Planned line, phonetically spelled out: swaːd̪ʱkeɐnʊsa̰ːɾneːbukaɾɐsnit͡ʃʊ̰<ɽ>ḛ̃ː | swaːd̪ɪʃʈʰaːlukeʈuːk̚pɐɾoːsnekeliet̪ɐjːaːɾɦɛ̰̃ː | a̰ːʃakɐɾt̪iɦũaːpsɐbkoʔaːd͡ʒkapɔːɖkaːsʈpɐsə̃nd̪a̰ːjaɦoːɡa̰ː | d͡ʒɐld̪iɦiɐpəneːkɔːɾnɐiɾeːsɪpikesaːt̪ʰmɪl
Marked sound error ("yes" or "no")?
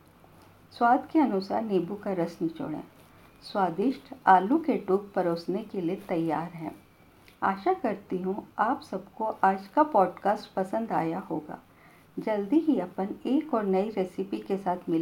no